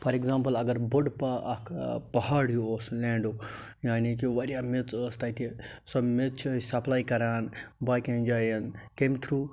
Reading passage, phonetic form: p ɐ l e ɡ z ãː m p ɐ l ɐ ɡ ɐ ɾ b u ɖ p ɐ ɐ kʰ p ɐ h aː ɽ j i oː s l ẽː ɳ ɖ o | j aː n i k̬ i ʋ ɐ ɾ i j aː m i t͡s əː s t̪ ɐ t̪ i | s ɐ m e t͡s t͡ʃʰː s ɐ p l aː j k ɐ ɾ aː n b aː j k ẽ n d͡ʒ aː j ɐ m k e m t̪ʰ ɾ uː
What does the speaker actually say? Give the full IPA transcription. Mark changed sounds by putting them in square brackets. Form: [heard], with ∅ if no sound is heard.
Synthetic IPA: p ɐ [ɾ] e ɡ z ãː m p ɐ l ɐ ɡ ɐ ɾ b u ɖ p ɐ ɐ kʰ p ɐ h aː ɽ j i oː s l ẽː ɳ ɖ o | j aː n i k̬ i ʋ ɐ ɾ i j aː m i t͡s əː s t̪ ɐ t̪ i | s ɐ m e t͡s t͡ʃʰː s ɐ p l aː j k ɐ ɾ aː n b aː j k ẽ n d͡ʒ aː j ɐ [n] k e m t̪ʰ ɾ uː